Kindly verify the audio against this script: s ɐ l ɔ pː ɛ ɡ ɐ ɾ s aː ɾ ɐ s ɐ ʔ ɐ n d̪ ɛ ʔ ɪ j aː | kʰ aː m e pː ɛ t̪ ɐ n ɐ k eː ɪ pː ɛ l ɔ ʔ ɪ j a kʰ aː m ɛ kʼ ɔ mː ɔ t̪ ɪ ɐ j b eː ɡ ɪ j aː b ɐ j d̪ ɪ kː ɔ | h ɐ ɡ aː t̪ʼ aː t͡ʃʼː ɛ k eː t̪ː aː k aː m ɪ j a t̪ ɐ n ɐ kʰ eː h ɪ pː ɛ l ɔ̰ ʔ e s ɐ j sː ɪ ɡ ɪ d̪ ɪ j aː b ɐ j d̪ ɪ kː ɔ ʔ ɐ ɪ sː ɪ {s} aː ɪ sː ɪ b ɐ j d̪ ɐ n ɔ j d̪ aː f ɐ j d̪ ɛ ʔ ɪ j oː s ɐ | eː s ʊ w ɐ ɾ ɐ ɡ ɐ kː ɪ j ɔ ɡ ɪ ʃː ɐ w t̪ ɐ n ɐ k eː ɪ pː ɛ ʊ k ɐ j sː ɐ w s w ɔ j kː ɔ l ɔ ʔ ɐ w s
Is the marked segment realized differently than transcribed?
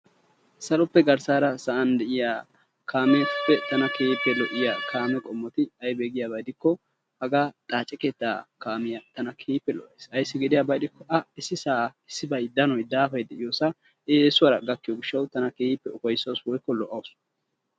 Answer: no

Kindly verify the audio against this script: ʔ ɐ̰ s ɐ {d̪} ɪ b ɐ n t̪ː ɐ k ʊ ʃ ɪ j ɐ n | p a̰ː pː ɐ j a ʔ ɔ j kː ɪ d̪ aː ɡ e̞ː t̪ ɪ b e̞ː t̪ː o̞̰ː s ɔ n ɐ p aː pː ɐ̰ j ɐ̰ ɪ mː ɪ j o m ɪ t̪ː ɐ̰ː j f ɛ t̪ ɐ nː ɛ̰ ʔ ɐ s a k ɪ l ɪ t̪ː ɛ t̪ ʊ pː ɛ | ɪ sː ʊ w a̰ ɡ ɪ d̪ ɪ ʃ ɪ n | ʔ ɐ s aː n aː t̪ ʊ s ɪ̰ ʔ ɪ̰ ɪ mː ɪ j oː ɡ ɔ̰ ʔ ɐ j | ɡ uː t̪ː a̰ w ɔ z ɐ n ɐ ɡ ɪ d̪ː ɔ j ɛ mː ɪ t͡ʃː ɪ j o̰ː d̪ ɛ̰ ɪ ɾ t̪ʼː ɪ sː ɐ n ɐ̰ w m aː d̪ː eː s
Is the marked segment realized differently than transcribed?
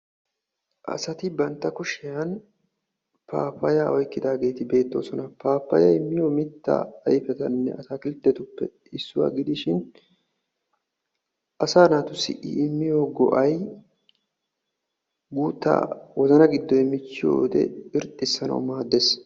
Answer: yes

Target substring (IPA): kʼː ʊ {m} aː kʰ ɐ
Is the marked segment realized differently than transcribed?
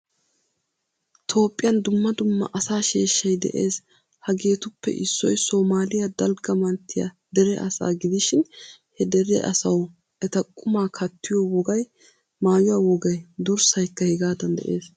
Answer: no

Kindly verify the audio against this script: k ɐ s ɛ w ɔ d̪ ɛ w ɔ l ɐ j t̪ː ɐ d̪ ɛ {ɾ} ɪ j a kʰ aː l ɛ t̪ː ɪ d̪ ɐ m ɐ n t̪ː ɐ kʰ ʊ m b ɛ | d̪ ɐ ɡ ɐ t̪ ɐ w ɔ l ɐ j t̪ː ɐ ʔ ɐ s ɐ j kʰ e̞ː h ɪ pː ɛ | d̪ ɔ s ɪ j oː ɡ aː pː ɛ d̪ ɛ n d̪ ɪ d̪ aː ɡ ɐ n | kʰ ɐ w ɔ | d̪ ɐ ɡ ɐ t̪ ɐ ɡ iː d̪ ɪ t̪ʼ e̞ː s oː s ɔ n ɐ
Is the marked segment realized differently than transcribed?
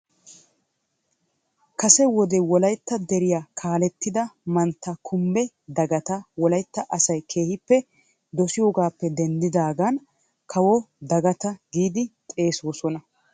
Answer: no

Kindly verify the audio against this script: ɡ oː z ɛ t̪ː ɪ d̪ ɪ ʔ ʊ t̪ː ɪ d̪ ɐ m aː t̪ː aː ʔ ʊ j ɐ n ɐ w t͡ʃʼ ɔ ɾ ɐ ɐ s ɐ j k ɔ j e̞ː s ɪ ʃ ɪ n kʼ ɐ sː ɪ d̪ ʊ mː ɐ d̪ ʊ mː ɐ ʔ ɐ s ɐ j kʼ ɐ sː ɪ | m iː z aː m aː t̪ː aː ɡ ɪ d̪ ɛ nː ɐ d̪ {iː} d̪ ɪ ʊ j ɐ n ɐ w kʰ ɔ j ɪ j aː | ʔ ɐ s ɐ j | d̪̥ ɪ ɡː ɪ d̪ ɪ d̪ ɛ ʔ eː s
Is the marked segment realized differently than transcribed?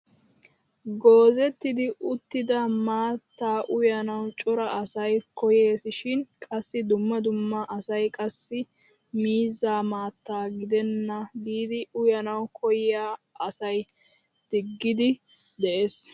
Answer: no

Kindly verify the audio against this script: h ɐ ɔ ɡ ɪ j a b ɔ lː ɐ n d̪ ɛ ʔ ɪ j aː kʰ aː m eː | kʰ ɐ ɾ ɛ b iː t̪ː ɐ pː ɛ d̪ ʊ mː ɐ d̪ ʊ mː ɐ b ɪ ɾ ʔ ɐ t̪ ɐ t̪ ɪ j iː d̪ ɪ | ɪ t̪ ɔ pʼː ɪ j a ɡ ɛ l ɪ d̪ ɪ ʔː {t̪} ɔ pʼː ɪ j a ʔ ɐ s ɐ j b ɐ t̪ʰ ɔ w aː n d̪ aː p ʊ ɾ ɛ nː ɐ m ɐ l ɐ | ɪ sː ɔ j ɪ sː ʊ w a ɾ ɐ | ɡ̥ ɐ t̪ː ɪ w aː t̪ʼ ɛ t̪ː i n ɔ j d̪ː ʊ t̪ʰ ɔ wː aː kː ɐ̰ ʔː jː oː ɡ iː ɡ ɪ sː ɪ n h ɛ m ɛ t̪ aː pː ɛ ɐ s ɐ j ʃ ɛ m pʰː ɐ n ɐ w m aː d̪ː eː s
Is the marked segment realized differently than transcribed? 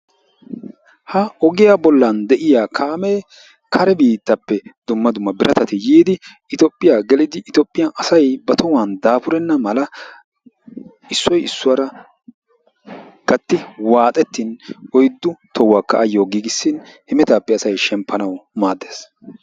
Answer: no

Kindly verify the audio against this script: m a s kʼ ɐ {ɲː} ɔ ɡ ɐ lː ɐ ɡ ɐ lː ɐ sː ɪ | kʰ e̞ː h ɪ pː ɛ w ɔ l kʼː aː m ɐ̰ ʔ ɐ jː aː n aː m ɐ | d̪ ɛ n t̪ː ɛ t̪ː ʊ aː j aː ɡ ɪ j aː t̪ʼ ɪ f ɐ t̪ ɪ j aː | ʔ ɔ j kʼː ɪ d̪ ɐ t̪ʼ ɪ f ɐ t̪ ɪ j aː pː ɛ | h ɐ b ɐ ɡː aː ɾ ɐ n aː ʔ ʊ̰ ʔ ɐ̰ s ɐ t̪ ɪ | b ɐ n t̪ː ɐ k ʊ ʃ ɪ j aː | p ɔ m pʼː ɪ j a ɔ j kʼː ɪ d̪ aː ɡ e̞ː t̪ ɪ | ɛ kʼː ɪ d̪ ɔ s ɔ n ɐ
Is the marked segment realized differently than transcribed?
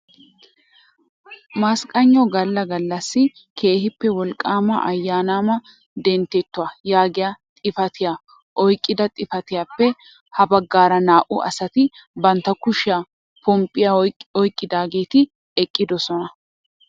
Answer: no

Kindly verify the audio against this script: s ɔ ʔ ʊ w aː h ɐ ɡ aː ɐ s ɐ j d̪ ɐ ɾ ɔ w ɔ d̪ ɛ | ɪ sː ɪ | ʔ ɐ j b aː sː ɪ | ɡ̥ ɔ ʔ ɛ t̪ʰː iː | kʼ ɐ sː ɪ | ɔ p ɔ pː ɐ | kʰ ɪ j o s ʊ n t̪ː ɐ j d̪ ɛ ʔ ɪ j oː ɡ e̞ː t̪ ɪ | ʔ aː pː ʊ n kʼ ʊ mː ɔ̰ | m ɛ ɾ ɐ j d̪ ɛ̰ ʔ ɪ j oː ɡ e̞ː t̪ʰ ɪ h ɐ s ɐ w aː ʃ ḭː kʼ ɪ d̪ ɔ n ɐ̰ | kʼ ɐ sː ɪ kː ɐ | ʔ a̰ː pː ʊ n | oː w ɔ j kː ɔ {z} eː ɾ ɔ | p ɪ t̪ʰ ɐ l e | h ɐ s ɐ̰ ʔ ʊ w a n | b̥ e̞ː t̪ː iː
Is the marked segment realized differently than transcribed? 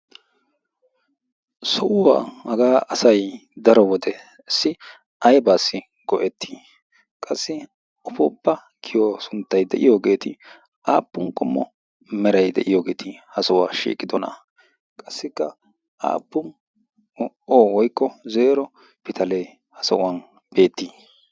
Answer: no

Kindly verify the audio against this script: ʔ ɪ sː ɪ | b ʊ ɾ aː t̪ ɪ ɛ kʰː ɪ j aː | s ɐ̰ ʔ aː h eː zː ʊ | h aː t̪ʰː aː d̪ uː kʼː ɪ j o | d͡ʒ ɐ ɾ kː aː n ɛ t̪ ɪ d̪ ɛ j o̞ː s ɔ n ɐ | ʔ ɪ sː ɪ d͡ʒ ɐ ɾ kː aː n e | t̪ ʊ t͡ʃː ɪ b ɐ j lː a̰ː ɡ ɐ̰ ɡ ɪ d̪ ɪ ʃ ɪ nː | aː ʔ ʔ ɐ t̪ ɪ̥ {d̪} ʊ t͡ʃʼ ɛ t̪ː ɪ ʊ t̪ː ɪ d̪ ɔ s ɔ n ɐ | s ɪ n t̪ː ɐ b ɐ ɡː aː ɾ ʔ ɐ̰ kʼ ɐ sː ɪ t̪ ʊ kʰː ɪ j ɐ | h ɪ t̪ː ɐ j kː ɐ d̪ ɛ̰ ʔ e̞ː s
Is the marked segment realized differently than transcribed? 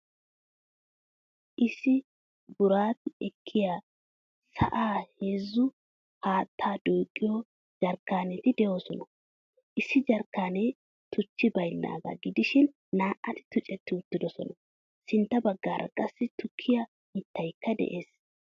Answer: yes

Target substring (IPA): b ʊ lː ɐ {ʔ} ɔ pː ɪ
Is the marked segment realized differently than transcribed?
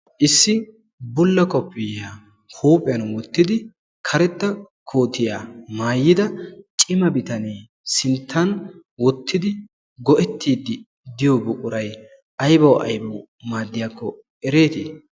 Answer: yes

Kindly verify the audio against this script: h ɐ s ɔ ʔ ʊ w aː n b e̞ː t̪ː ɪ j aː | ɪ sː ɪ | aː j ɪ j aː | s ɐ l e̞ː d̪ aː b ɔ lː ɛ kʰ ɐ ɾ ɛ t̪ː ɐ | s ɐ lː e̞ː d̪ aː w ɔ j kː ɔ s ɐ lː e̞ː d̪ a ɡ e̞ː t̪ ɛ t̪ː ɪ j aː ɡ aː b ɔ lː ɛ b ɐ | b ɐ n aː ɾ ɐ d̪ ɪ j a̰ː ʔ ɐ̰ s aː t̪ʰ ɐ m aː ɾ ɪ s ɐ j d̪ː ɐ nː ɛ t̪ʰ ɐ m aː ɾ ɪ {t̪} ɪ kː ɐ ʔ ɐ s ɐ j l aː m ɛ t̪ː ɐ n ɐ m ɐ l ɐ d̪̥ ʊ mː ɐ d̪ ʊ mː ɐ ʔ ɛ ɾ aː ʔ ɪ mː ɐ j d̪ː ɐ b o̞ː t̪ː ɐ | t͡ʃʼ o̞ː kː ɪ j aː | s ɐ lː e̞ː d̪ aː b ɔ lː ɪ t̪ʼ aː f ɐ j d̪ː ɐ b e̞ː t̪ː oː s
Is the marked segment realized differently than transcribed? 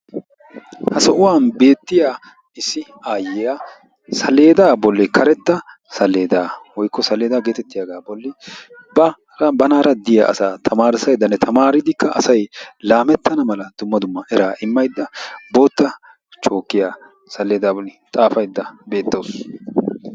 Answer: yes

